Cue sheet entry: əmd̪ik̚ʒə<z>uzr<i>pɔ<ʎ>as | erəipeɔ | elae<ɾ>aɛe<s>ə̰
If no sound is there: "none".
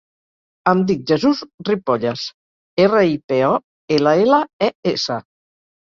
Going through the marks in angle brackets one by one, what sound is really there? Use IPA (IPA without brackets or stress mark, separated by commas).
z, i, ʎ, l, s